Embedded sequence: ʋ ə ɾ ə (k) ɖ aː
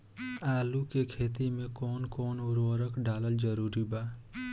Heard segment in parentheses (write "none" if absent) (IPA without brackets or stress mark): k